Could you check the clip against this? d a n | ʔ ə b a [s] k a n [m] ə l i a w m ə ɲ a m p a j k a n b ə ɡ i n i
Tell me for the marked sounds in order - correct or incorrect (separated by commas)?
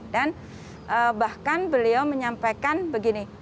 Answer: incorrect, incorrect